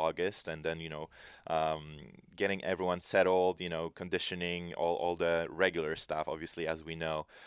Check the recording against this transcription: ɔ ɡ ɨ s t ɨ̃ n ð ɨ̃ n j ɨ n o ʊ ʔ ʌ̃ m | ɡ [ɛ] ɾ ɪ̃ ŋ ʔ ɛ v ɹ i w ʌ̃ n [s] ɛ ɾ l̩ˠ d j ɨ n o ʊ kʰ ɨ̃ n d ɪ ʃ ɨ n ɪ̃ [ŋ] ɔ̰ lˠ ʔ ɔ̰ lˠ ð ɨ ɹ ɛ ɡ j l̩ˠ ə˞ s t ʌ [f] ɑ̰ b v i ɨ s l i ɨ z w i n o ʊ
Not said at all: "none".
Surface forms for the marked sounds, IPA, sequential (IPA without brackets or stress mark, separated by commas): ɛ, s, ŋ, f